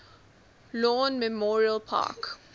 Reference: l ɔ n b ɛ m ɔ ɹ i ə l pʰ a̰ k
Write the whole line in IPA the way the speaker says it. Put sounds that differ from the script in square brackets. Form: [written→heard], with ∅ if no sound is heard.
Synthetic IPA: l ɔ n [b→m] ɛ m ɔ ɹ i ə l pʰ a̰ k

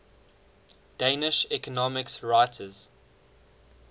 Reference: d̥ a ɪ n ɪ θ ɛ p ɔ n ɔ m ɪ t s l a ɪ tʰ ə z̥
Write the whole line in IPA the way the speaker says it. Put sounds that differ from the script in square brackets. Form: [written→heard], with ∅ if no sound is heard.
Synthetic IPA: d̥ [a→e] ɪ n ɪ [θ→ʃ] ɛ [p→k] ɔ n ɔ m ɪ [t→k] s [l→ɹ] a ɪ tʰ ə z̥

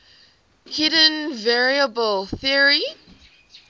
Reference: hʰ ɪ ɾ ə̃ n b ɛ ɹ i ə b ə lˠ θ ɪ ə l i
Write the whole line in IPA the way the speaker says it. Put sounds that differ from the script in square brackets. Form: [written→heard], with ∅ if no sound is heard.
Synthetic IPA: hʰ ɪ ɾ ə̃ n [b→v] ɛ ɹ i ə b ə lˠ θ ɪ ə [l→ɹ] i

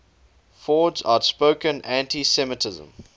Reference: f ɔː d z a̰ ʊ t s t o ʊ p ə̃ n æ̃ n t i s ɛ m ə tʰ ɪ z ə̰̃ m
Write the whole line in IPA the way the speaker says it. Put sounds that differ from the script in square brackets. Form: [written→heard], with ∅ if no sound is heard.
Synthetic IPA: f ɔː d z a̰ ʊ t s [t→p] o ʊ [p→k] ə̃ n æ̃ n t i s ɛ m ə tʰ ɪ z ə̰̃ m

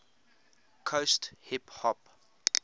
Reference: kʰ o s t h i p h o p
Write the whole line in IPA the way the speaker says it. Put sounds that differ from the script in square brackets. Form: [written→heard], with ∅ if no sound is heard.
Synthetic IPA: kʰ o s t h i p h [o→ɔ] p

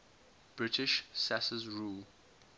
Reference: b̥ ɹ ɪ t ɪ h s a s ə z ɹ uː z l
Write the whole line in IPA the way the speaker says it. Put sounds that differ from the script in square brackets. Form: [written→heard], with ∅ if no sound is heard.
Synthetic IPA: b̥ ɹ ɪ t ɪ [h→ʃ] s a s ə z ɹ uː [z→∅] l

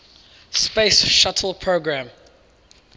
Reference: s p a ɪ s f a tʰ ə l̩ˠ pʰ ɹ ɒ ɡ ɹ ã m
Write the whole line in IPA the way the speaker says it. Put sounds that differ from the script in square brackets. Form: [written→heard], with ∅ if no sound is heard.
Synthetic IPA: s p [a→e] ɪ s [f→ʃ] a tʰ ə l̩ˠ pʰ ɹ [ɒ→o] ɡ ɹ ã m

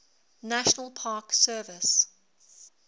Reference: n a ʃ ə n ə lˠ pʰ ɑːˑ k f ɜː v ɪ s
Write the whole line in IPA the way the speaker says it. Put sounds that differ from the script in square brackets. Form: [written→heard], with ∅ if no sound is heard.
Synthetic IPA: n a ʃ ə n ə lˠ pʰ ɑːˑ k [f→s] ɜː v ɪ s

